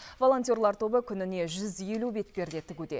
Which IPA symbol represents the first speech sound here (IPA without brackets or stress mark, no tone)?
v